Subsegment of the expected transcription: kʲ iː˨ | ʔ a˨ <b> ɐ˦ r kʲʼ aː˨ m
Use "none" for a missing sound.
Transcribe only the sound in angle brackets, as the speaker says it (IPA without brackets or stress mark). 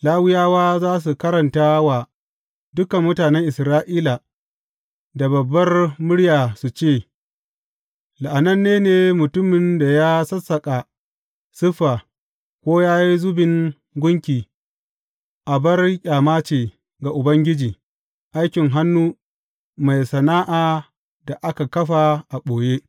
b